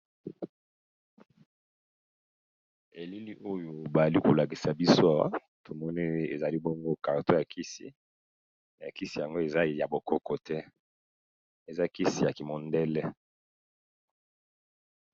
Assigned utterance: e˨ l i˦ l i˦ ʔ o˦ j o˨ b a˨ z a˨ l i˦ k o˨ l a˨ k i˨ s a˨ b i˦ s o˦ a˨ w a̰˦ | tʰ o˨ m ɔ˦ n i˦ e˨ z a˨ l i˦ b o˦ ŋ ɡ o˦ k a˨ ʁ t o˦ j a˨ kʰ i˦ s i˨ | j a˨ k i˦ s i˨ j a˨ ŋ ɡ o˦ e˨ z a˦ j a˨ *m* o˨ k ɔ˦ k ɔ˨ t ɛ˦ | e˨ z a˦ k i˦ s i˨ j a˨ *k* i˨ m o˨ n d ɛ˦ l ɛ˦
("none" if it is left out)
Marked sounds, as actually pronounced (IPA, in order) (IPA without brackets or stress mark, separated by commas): b, k